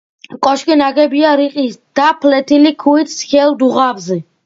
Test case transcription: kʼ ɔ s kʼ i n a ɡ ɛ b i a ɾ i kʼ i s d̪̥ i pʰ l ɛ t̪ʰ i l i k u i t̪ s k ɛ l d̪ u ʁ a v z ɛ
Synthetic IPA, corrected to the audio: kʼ ɔ ʃ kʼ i n a ɡ ɛ b i a ɾ i qʼ i s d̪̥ a pʰ l ɛ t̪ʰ i l i kʰ u i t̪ s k ɛ l d̪ u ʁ a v z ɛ